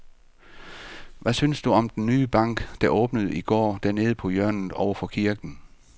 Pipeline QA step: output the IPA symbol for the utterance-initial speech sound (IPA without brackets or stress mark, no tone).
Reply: ʋ